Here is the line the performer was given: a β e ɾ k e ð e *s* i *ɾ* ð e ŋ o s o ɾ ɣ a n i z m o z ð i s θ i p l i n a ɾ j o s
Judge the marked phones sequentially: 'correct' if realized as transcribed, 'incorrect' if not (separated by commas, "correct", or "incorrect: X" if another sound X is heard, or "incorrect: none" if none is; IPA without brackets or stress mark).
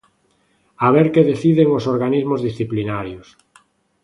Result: incorrect: θ, incorrect: none